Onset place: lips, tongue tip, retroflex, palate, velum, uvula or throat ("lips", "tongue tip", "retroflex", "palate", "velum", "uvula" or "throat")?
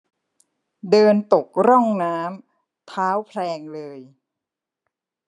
tongue tip